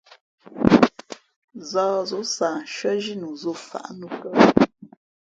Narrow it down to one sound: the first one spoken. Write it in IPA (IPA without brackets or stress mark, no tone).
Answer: z